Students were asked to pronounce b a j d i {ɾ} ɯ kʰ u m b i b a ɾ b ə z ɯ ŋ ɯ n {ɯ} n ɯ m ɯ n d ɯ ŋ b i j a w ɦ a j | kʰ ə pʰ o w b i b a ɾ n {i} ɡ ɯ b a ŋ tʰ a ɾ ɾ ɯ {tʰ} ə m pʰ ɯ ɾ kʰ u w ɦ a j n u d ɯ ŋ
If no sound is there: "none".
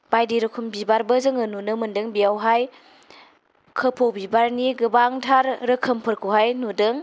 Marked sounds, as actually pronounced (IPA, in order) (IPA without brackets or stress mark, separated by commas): ɾ, u, i, kʰ